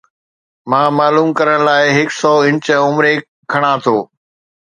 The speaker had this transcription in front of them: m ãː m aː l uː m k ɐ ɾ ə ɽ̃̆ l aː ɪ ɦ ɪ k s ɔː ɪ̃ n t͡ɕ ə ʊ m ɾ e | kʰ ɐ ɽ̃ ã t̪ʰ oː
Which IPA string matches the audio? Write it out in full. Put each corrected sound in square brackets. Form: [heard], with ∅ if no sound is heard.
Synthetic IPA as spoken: m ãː m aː l uː m k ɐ ɾ ə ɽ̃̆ l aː ɪ ɦ ɪ k s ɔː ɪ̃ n t͡ɕ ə ʊ m ɾ e | kʰ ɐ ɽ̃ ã t̪ʰ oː